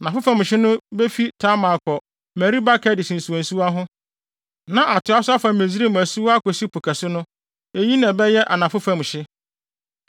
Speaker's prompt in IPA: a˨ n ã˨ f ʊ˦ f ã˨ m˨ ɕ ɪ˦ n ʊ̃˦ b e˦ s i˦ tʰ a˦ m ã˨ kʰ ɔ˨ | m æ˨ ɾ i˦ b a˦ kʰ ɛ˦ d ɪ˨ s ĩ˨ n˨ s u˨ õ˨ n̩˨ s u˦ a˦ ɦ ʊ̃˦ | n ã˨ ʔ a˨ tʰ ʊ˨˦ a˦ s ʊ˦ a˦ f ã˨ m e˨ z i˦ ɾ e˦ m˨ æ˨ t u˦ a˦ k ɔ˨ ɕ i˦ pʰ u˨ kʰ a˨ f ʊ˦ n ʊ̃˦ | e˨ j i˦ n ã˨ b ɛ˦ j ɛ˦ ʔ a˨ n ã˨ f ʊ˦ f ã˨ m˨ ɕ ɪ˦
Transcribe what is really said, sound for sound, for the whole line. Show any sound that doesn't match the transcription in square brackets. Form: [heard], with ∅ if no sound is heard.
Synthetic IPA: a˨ n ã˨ f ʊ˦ f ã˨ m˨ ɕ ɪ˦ n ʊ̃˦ b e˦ [f] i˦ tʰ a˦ m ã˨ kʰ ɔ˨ | m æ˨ ɾ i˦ b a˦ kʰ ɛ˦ d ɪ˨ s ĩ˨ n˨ s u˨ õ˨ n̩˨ s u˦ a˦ ɦ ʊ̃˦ | n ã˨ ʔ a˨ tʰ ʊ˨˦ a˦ s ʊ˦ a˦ f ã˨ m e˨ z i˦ ɾ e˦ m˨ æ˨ [s] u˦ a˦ k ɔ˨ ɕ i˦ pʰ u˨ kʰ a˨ [s] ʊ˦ n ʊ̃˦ | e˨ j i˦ n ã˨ b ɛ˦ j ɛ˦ ʔ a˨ n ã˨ f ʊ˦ f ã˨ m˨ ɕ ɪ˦